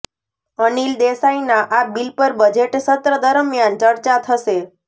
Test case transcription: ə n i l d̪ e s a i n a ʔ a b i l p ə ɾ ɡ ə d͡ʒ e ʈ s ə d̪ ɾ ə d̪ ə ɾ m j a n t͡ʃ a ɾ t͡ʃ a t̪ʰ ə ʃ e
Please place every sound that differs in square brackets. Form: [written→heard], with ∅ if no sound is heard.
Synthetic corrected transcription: ə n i l d̪ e s a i n a ʔ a b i l p ə ɾ [ɡ→b] ə d͡ʒ e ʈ s ə [d̪→t̪] ɾ ə d̪ ə ɾ m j a n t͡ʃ [a→ə] ɾ t͡ʃ a t̪ʰ ə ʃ e